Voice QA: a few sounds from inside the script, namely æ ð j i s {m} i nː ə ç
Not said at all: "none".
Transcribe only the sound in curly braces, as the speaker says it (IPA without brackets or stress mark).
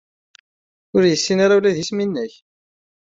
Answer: m